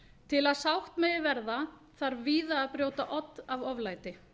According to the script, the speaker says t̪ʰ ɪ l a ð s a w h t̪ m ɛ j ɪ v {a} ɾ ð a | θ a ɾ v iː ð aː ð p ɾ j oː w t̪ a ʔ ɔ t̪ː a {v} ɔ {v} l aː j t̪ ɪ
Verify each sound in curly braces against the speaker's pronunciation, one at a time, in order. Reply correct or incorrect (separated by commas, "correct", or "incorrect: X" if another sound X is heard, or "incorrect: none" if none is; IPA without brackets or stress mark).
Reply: incorrect: ɛ, correct, correct